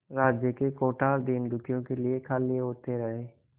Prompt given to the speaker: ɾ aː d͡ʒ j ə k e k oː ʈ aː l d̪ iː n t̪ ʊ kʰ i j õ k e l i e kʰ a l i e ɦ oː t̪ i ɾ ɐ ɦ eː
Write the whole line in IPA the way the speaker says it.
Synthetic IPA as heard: ɾ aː d͡ʒ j ə k e k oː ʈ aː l d̪ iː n d̪ ʊ kʰ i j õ k e l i e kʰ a l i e ɦ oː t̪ e ɾ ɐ ɦ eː